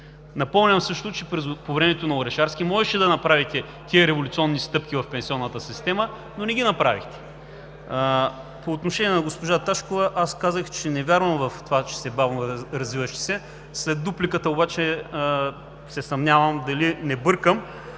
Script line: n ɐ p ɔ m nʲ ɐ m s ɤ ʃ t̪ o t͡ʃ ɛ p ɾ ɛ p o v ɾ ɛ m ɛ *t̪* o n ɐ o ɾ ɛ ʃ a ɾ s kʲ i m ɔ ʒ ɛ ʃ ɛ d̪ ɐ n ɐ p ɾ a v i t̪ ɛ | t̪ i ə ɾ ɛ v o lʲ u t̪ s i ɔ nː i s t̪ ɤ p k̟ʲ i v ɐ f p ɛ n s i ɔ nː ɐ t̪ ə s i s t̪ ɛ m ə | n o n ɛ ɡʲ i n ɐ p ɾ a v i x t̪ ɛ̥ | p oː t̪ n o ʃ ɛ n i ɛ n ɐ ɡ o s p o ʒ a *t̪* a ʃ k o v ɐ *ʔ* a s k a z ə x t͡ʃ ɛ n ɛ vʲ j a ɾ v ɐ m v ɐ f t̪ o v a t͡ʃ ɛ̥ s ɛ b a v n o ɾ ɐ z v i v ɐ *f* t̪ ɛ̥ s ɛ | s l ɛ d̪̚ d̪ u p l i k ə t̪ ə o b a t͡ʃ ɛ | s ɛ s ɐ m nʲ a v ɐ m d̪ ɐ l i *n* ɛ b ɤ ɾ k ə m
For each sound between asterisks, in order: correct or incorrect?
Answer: correct, correct, correct, incorrect: ʃ, correct

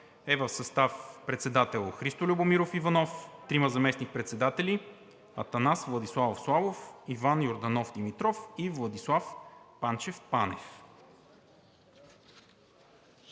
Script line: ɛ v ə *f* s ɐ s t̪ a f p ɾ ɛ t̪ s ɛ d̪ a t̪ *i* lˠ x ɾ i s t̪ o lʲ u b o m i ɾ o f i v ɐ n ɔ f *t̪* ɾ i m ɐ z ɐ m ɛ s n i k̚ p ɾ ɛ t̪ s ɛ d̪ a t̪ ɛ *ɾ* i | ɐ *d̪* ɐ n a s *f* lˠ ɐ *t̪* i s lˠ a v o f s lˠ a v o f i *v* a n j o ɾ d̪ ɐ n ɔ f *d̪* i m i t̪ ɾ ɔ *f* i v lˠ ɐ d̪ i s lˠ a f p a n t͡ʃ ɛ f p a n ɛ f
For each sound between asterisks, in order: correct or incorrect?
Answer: correct, incorrect: ɛ, correct, incorrect: l, incorrect: t̪, incorrect: v, incorrect: d̪, correct, correct, correct

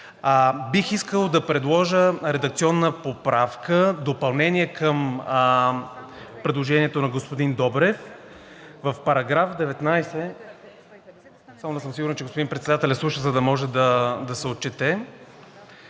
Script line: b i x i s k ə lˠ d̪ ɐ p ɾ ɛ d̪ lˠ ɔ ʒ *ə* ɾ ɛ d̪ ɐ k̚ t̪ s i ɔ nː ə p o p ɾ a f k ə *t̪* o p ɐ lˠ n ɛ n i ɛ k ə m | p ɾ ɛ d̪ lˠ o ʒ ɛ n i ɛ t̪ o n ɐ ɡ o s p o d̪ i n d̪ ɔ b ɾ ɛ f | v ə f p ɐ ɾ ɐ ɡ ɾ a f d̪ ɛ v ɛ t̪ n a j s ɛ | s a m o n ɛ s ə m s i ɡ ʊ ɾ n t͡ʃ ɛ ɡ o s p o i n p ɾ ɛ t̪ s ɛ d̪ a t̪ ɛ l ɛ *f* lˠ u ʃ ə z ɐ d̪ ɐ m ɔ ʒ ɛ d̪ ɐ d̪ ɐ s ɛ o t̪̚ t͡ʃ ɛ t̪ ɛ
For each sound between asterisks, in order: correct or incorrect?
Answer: correct, incorrect: d̪, incorrect: s

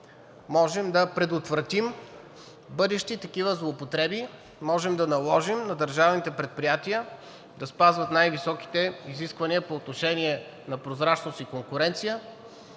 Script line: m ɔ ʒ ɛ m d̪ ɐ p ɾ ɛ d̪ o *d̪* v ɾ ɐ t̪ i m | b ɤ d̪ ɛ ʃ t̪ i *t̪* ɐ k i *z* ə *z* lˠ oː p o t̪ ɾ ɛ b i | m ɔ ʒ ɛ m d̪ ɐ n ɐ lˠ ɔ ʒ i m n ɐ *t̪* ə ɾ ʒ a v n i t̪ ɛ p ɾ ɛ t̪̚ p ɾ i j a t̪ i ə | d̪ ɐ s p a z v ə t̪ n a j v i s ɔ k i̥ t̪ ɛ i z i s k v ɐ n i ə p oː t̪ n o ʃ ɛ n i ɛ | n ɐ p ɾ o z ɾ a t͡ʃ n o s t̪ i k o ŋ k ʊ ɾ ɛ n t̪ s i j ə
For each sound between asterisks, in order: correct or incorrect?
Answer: incorrect: t̪, correct, incorrect: v, correct, incorrect: d̪

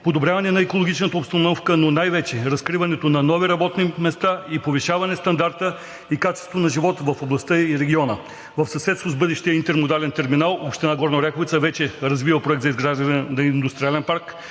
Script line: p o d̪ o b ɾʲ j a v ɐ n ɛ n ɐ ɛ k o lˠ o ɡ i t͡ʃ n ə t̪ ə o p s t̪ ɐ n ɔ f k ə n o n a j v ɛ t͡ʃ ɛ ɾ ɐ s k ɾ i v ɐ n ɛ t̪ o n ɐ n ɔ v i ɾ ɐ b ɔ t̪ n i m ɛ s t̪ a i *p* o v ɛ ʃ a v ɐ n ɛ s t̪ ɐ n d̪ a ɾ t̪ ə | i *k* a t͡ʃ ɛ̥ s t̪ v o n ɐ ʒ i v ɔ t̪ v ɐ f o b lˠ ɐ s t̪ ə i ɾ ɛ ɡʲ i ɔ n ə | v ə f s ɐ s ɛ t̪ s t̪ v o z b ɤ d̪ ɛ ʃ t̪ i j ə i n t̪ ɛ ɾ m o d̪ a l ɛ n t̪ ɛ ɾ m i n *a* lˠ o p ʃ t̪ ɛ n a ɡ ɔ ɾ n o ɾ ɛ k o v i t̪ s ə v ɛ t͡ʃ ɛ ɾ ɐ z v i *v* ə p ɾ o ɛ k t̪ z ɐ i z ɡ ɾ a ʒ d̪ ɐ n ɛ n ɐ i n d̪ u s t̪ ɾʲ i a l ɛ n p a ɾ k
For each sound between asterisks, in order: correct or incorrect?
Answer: correct, correct, correct, correct

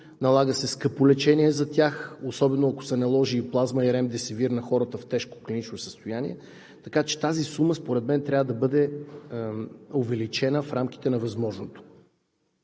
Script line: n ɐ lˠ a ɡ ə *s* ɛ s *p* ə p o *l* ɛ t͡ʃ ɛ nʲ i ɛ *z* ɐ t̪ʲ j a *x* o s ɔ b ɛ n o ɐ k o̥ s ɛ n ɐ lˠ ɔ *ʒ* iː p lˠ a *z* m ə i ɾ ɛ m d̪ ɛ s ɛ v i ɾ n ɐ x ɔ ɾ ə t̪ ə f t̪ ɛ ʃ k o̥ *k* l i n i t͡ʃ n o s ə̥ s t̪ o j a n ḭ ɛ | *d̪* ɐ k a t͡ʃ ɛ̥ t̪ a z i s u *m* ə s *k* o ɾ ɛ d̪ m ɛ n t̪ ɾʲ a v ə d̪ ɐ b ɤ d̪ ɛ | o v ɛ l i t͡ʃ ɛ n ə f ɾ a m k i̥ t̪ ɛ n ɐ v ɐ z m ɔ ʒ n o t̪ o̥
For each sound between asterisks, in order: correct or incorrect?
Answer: correct, incorrect: k, correct, correct, correct, correct, correct, correct, incorrect: t̪, correct, incorrect: p

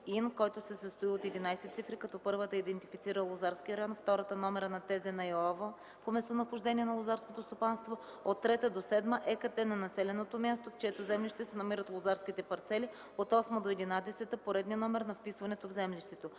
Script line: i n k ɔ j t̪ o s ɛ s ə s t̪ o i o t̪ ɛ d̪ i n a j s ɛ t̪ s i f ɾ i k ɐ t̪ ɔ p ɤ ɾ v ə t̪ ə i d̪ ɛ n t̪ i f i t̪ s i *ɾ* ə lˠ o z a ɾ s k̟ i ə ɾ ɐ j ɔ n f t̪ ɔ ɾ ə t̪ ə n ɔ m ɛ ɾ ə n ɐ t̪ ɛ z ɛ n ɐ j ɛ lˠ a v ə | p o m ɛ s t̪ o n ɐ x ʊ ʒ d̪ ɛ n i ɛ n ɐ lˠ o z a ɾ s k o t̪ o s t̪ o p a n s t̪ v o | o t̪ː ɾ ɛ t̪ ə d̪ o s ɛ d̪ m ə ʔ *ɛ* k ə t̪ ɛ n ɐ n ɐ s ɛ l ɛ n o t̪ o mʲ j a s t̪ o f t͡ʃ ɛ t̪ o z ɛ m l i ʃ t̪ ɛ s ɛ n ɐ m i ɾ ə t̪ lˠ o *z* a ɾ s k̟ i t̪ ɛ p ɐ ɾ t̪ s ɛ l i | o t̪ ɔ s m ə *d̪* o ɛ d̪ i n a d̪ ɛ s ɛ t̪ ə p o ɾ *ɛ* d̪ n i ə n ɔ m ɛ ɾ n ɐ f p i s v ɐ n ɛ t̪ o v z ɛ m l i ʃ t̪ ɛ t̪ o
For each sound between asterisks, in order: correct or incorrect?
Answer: correct, correct, correct, correct, correct

